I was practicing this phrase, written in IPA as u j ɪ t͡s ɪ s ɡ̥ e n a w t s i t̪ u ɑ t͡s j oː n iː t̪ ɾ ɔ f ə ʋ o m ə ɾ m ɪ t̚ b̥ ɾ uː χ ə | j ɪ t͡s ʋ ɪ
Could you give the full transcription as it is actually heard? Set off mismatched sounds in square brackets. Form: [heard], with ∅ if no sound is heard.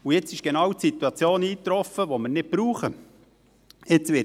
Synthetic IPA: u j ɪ t͡s ɪ [ʃ] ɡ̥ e n [ɑ] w t s i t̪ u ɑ t͡s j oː n iː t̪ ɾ ɔ f ə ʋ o m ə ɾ [n] ɪ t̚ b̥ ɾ uː χ ə | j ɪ t͡s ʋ ɪ